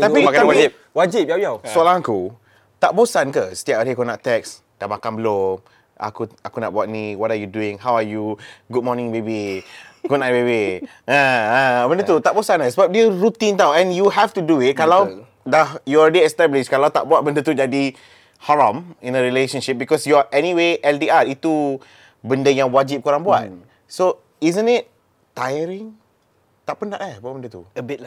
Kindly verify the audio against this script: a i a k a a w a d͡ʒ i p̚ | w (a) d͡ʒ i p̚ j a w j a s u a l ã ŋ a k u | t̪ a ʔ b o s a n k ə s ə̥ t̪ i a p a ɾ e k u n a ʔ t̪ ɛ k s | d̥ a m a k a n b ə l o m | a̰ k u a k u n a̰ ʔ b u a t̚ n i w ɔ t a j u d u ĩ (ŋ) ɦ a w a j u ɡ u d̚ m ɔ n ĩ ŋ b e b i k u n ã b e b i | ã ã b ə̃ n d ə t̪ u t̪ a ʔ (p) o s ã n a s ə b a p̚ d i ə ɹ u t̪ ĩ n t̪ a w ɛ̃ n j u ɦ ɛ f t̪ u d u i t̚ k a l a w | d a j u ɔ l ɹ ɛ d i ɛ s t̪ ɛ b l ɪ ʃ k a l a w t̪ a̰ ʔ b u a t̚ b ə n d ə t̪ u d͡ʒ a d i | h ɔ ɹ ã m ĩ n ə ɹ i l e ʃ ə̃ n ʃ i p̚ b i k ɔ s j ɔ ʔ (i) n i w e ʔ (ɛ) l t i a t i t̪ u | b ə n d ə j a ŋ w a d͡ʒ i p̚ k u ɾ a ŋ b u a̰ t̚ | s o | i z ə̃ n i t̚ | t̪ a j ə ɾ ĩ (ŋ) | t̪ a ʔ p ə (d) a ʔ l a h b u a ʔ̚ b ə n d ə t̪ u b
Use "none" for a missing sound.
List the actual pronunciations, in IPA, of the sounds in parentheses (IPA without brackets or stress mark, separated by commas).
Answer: a, ŋ, b, ɛ, ɛ, ŋ, n